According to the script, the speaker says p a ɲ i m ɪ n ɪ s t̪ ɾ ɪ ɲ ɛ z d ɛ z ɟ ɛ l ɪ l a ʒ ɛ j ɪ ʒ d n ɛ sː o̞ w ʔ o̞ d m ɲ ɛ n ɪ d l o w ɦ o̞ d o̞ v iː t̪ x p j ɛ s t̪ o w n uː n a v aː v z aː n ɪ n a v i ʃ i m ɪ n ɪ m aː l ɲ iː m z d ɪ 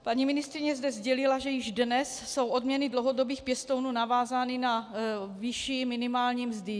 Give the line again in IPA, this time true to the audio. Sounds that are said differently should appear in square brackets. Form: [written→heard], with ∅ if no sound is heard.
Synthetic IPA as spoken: p a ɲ i m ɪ n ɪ s t̪ ɾ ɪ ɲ ɛ z d ɛ z ɟ ɛ l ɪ l a ʒ ɛ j ɪ ʒ d n ɛ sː o̞ w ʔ o̞ d m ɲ ɛ n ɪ d l o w ɦ o̞ d o̞ [v→b] iː [t̪→∅] x p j ɛ s t̪ o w n uː n a v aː [v→∅] z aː n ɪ n a v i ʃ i m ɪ n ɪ m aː l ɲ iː m z d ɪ

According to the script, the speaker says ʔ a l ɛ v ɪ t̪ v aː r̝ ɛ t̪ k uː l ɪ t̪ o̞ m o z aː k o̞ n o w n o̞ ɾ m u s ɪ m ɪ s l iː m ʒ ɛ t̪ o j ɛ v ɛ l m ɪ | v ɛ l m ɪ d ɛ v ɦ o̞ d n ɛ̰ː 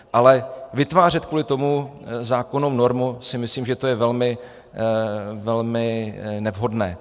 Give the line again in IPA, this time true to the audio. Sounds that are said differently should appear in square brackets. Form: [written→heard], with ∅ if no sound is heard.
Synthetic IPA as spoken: ʔ a l ɛ v ɪ t̪ v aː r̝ ɛ t̪ k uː l ɪ t̪ o̞ m [o→u] z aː k o̞ n o w n o̞ ɾ m u s ɪ m ɪ s l iː m ʒ ɛ t̪ o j ɛ v ɛ l m ɪ | v ɛ l m ɪ [d→n] ɛ v ɦ o̞ d n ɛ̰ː

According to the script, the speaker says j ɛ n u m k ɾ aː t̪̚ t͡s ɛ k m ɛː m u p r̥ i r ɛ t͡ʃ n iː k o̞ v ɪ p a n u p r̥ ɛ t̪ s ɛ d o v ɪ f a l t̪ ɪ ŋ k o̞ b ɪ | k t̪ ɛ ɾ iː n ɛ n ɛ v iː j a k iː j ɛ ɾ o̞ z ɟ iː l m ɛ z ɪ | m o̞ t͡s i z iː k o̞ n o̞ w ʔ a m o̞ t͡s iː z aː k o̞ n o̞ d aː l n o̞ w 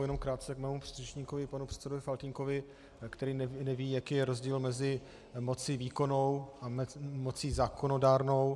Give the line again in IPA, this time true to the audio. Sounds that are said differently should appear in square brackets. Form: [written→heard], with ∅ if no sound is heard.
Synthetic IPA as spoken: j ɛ n [u→o] m k ɾ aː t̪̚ t͡s ɛ k m ɛː m u p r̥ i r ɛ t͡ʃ [n→ɲ] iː k o̞ v ɪ p a n u p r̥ ɛ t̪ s ɛ d o v ɪ f a l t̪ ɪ ŋ k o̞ [b→v] ɪ | k t̪ ɛ ɾ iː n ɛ n ɛ v iː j a k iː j ɛ ɾ o̞ z ɟ iː l m ɛ z ɪ | m o̞ t͡s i [z→v] iː k o̞ n o̞ w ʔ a m o̞ t͡s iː z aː k o̞ n o̞ d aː [l→ɾ] n o̞ w

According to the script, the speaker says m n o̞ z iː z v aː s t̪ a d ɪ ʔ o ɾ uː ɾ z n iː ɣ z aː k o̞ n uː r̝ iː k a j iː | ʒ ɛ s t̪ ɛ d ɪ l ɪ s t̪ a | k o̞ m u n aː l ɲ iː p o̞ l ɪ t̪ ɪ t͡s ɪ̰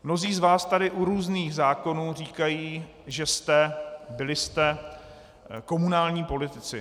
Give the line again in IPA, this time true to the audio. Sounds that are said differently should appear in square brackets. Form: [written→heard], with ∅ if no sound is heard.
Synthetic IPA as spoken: m n o̞ z iː z v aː s t̪ a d ɪ ʔ [o→u] ɾ uː [ɾ→∅] z n iː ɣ z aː k o̞ n uː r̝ iː k a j iː | ʒ ɛ s t̪ ɛ [d→b] ɪ l ɪ s t̪ [a→ɛ] | k o̞ m u n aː l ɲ iː p o̞ l ɪ t̪ ɪ t͡s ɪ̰

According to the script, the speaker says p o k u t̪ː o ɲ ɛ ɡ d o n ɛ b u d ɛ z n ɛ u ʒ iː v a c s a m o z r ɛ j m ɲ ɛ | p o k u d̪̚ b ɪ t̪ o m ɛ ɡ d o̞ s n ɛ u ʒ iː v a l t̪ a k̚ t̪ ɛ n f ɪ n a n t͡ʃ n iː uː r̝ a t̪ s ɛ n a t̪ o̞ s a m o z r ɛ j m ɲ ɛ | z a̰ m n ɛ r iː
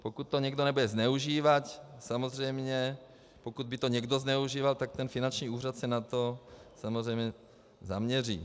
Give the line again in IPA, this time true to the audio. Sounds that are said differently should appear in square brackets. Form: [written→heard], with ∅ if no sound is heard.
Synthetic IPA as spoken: p o k u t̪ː o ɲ ɛ ɡ d o n ɛ b u d ɛ z n ɛ u ʒ iː v a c s a m o z r ɛ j m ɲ ɛ | p o k u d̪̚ b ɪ t̪ o [m→ɲ] ɛ ɡ d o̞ [s→z] n ɛ u ʒ iː v a l t̪ a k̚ t̪ ɛ n f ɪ n a n t͡ʃ [n→ɲ] iː uː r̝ a t̪ s ɛ n a t̪ o̞ s a m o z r ɛ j m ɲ ɛ | z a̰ m [n→ɲ] ɛ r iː

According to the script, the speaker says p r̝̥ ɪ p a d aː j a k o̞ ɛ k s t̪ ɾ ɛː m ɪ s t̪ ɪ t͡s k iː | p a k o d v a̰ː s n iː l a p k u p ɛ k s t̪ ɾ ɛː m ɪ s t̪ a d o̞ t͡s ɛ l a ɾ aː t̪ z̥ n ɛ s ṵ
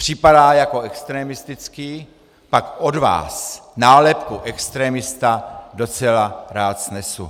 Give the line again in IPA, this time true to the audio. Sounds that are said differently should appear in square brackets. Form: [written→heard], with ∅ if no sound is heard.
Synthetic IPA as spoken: p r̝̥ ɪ p a d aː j a k o̞ ɛ k s t̪ ɾ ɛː m ɪ s t̪ ɪ t͡s k iː | p a k o d v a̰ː s n [iː→aː] l [a→ɛ] p k u [p→ʔ] ɛ k s t̪ ɾ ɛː m ɪ s t̪ a d o̞ t͡s ɛ l a ɾ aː t̪ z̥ n ɛ s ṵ

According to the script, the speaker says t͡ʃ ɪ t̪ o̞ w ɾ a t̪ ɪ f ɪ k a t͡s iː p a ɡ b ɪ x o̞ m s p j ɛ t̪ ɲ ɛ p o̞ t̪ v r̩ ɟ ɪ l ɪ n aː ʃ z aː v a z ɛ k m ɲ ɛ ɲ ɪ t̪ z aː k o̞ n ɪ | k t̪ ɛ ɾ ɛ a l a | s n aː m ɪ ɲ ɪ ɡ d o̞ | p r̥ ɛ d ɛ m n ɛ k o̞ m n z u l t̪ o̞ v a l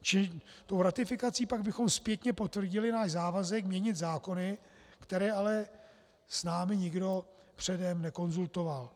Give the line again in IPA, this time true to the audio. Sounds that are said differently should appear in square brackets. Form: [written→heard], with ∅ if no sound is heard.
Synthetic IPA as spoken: t͡ʃ ɪ t̪ o̞ w ɾ a t̪ ɪ f ɪ k a t͡s iː p a ɡ b ɪ x o̞ m s p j ɛ t̪ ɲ ɛ p o̞ t̪ v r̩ ɟ ɪ l ɪ n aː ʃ z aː v a z ɛ k m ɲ ɛ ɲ ɪ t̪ z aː k o̞ n ɪ | k t̪ ɛ ɾ [ɛ→ɛː] a l [a→ɛ] | s n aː m ɪ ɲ ɪ ɡ d o̞ | p r̥ ɛ d ɛ m n ɛ k o̞ [m→∅] n z u l t̪ o̞ v a l

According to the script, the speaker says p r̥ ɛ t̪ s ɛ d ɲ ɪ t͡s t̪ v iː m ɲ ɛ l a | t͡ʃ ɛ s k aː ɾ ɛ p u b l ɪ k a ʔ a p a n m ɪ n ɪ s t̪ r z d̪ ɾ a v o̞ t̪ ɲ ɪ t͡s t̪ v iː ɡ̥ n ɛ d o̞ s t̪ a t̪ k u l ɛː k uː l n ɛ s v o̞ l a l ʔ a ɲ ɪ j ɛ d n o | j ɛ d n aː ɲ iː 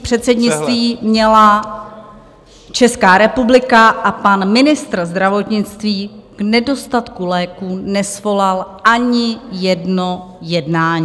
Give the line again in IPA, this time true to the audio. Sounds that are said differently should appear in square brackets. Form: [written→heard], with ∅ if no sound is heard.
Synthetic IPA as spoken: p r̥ ɛ t̪ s ɛ d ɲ ɪ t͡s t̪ v iː m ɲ ɛ l a | t͡ʃ ɛ s k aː ɾ ɛ p u b l ɪ k a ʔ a p a n m ɪ n ɪ s t̪ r z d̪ ɾ a v o̞ t̪ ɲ ɪ t͡s t̪ v iː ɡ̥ n ɛ d o̞ s t̪ a t̪ k u l ɛː k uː [l→∅] n ɛ s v o̞ l a l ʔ a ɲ ɪ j ɛ d n o | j ɛ d n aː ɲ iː

